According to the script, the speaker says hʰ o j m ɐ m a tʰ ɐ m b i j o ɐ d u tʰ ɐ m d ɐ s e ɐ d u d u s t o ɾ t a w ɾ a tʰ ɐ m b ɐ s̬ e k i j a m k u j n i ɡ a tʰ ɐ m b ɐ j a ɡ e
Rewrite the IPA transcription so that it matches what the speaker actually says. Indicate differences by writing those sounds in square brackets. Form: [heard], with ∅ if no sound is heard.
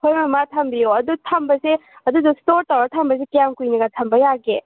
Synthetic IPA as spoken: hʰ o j m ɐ m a tʰ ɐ m b i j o ɐ d u tʰ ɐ m [b] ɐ s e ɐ d u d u s t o ɾ t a w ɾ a tʰ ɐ m b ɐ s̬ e k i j a m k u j n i ɡ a tʰ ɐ m b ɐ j a ɡ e